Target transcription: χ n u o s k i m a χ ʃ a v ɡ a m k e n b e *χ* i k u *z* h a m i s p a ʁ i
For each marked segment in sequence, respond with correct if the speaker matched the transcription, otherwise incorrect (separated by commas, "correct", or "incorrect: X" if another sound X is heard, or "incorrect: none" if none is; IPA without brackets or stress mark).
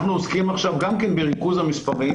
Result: incorrect: ʁ, correct